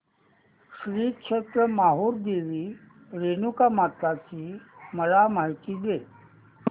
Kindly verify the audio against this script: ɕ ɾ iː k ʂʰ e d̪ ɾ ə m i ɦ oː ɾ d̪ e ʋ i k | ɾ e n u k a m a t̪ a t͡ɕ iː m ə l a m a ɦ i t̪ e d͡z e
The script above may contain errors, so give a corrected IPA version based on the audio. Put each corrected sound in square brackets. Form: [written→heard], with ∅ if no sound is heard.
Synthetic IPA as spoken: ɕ ɾ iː k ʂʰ e [d̪→t̪] ɾ ə m [i→a] ɦ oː ɾ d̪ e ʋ i [k→∅] | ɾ e n u k a m a t̪ a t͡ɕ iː m ə l a m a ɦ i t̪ [e→i] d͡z e